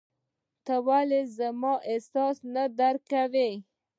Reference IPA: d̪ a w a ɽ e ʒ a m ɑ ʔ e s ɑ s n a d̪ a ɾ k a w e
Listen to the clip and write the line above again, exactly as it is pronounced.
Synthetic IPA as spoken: t̪ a w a l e z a m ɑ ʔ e s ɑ s n a d̪ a ɾ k a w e